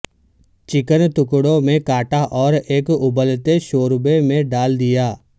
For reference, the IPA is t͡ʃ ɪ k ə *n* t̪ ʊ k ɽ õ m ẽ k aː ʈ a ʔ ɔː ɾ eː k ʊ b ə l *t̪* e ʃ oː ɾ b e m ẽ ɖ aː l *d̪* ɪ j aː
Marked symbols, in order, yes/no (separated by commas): yes, yes, yes